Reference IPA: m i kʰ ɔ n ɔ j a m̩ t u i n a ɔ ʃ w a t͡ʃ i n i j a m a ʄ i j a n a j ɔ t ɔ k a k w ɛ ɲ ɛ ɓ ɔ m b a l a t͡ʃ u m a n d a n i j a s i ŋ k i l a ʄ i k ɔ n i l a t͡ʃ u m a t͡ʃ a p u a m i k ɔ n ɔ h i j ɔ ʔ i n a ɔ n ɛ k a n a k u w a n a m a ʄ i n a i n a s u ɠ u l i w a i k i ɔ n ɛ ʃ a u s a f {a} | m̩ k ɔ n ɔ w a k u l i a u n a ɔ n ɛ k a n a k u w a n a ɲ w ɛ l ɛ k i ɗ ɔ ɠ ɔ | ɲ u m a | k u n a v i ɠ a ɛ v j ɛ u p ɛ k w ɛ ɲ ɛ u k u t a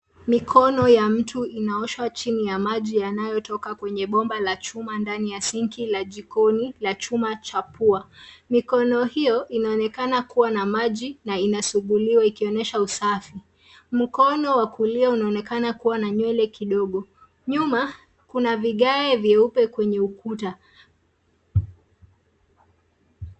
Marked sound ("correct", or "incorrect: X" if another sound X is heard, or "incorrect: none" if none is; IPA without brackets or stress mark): incorrect: i